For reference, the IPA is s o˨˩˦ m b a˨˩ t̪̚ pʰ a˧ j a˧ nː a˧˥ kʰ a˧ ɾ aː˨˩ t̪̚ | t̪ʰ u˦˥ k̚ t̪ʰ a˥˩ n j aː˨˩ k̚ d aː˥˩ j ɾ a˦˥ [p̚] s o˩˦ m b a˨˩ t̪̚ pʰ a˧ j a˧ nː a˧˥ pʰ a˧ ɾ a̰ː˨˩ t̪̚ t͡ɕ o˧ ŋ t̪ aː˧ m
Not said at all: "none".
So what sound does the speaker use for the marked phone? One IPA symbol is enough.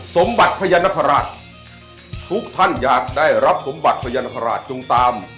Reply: p̚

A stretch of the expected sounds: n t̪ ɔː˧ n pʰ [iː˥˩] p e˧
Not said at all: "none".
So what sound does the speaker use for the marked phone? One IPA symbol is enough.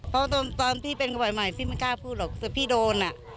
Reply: iː˥˩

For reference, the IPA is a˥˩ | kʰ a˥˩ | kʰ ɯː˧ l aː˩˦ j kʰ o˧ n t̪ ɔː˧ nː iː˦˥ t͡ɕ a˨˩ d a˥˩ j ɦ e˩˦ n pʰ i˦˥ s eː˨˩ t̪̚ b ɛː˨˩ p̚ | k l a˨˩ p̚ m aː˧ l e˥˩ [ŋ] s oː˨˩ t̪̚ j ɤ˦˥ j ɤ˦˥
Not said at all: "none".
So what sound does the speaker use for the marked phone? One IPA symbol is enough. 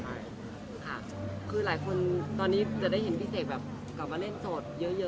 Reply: n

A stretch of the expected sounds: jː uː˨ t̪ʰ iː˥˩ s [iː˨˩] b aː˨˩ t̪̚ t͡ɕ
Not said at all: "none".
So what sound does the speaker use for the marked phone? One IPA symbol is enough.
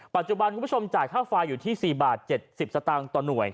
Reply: iː˨˩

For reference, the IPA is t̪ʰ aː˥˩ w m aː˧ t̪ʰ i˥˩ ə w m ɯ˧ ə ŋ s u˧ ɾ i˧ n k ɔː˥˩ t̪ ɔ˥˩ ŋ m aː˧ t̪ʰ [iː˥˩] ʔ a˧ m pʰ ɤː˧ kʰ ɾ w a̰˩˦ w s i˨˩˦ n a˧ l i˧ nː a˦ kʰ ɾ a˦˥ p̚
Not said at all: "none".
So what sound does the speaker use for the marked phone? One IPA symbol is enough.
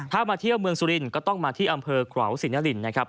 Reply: iː˥˩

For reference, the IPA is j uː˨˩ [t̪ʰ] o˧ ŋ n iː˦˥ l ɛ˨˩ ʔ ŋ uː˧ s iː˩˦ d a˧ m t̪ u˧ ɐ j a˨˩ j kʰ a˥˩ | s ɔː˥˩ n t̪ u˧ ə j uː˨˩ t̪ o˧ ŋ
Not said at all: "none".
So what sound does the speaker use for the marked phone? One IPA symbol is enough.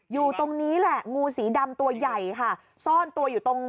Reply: t̪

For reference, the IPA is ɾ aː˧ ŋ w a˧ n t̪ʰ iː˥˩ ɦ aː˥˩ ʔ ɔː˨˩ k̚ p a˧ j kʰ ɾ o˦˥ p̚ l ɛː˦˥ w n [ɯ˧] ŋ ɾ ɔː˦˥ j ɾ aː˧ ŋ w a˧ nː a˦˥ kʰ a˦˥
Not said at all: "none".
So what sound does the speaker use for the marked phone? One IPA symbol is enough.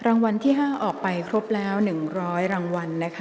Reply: ɯ˨˩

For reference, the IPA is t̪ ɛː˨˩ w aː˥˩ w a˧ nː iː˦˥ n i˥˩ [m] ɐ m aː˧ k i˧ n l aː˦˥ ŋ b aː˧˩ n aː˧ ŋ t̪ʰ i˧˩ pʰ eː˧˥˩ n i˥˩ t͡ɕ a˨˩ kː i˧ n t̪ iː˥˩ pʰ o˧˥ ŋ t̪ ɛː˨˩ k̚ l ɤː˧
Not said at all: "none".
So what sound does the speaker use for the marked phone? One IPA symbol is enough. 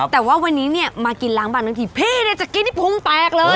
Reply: none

